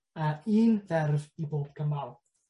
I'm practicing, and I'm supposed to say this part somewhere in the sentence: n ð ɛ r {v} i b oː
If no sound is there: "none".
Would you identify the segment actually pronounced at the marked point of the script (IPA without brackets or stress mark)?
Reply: v